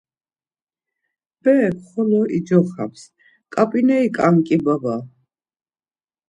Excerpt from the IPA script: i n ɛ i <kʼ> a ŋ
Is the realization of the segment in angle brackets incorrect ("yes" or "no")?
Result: no